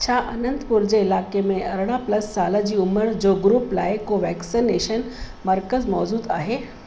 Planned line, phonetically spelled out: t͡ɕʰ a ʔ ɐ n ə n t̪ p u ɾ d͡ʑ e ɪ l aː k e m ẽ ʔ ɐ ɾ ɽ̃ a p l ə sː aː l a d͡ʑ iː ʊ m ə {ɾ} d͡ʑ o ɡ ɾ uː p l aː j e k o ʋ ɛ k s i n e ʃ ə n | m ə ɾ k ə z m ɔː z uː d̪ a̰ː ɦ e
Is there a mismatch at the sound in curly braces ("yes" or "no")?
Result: no